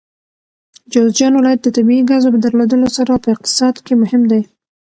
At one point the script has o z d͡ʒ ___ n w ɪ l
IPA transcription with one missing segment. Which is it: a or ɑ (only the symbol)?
ɑ